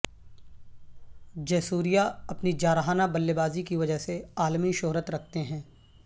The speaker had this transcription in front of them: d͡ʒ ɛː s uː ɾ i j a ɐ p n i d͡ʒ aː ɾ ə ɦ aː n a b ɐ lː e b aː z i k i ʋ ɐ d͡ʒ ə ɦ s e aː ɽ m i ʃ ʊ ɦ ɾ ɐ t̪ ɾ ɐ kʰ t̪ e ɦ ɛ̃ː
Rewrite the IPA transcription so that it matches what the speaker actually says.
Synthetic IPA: d͡ʒ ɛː s uː ɾ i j a ɐ p n i d͡ʒ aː ɾ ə ɦ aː n a b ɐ lː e b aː z i k i ʋ ɐ d͡ʒ ə ɦ s e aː l m i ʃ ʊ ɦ ɾ ə t̪ ɾ ɐ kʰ t̪ e ɦ ɛ̃ː